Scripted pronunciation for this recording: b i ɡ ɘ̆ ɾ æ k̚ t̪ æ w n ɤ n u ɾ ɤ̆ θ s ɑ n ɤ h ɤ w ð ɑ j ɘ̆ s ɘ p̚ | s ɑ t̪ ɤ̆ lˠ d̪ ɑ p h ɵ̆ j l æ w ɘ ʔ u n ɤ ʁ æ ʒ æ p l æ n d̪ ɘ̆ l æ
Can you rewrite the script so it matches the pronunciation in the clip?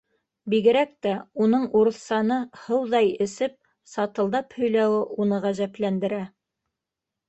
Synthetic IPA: b i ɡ ɘ̆ ɾ æ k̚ t̪ æ u n ɤ ɴ u ɾ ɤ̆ θ s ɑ n ɤ h ɤ w ð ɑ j ɘ̆ s ɘ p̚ | s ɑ t̪ ɤ̆ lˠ d̪ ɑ p h ɵ̆ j l æ w ɘ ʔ u n ɤ ʁ æ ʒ æ p l æ n d̪ ɘ̆ ɾ æ